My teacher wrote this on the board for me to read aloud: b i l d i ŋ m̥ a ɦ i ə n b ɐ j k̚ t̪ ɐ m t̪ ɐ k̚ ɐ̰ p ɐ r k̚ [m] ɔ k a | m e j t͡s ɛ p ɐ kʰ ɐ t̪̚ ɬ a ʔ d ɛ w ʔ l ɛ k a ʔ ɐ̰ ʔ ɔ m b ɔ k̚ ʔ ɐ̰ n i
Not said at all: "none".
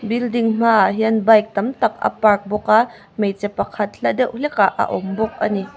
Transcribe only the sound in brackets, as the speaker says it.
b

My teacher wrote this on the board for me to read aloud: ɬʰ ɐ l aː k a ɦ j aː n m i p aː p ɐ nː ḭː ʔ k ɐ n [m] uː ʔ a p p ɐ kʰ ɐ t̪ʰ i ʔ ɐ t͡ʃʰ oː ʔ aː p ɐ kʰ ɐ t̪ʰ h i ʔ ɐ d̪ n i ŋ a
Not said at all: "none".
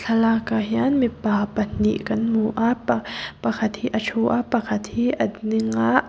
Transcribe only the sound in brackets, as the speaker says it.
m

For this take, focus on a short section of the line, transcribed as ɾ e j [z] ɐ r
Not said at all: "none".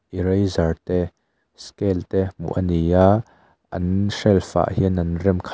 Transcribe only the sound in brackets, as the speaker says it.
z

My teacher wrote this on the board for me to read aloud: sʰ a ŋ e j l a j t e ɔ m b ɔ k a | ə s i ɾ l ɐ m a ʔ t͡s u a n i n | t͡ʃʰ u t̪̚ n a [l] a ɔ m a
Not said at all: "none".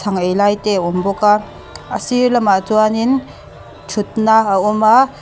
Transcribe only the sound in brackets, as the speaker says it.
none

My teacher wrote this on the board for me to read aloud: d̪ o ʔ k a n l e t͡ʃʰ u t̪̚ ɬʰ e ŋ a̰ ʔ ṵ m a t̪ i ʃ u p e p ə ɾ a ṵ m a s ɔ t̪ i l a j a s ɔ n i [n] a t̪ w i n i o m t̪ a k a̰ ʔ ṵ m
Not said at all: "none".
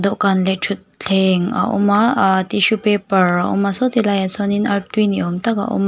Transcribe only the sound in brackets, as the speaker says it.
n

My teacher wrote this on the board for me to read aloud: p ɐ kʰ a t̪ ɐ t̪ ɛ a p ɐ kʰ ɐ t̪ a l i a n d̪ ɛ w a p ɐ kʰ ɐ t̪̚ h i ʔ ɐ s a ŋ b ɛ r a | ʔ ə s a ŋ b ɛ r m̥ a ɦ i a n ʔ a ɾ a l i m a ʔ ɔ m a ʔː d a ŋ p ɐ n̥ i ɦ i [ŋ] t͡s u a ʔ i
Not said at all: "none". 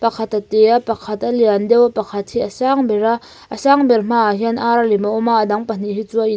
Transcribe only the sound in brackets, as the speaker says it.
none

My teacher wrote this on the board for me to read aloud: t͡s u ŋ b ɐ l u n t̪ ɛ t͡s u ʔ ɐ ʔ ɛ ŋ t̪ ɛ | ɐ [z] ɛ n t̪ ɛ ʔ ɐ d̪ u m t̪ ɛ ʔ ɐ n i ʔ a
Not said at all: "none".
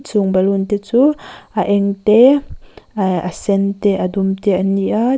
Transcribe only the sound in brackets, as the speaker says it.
s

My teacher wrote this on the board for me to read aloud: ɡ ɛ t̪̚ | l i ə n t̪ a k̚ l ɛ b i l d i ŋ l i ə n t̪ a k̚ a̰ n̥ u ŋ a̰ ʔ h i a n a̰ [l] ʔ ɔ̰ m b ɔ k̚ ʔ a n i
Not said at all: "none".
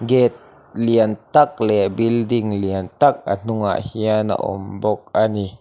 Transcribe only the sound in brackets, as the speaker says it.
none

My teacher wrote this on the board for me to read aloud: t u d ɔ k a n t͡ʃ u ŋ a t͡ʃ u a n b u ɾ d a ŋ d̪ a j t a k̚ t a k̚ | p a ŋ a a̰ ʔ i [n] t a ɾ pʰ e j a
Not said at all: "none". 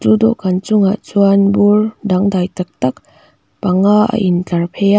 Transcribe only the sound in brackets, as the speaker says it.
n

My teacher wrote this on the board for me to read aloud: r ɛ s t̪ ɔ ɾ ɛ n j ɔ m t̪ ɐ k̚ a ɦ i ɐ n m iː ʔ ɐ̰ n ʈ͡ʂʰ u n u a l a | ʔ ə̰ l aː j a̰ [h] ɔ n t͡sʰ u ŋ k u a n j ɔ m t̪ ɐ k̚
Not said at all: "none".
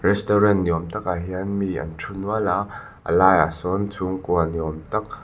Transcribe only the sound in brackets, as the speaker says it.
s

